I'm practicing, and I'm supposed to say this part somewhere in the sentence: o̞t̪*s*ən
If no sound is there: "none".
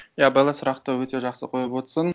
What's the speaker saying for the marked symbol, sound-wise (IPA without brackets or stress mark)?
s